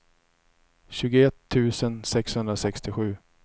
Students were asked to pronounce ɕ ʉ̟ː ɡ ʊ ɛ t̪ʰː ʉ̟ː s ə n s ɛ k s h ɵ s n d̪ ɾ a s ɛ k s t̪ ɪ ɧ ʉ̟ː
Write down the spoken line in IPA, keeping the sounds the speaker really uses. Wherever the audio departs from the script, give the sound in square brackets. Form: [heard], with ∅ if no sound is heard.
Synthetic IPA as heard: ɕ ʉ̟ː ɡ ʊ ɛ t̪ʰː ʉ̟ː s ə n s ɛ k s h ɵ [∅] n d̪ ɾ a s ɛ k s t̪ ɪ ɧ ʉ̟ː